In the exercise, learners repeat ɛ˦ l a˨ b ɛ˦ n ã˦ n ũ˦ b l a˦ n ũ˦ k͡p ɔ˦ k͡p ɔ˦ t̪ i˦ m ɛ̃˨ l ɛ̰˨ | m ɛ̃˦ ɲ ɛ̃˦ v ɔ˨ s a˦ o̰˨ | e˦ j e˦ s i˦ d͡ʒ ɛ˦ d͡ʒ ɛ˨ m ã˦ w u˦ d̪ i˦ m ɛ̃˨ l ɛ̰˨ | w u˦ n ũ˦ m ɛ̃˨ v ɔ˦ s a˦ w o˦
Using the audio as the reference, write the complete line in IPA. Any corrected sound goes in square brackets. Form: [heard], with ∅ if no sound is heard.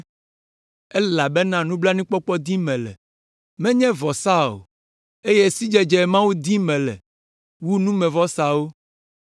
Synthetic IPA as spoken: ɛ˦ l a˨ b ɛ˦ n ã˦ n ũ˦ b l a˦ n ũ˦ k͡p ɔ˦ k͡p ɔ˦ [d̪] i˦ m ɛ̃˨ l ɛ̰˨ | m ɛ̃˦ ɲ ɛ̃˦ v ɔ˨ s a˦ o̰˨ | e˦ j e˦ s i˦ d͡ʒ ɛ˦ d͡ʒ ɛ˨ m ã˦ w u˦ d̪ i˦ m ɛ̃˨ l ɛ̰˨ | w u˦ n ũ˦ m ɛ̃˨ v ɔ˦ s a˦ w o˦